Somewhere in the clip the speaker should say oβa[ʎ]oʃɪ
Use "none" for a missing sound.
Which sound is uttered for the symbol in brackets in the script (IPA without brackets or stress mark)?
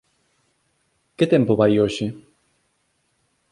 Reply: j